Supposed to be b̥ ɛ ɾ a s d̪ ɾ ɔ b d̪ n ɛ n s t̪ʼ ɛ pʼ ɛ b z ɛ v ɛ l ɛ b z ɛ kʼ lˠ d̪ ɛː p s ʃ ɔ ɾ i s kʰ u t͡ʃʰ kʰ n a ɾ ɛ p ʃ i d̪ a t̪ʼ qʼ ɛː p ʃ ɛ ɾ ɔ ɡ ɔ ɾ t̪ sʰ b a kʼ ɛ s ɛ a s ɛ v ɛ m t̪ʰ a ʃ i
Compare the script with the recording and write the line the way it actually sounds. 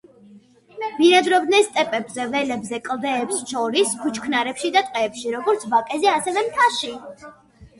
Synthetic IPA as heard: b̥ i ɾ a d̪ ɾ ɔ b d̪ n ɛ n s t̪ʼ ɛ pʼ ɛ b z ɛ v ɛ l ɛ b z ɛ kʼ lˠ d̪ ɛː p s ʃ ɔ ɾ i s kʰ u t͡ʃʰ kʰ n a ɾ ɛ p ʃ i d̪ a t̪ʼ qʼ ɛː p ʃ i ɾ ɔ ɡ ɔ ɾ t̪ sʰ b a kʼ ɛ z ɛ a s ɛ v ɛ m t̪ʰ a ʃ i